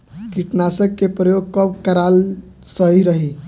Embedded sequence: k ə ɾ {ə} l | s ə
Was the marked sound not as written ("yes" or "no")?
yes